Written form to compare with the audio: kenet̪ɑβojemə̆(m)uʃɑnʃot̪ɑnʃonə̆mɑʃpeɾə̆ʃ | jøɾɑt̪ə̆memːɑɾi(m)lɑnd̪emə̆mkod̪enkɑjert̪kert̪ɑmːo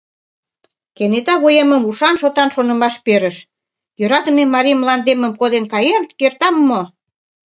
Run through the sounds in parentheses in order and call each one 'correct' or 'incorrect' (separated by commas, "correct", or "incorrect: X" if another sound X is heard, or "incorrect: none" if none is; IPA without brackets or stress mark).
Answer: correct, correct